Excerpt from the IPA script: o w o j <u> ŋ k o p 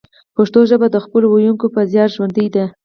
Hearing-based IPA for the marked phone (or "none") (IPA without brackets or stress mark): u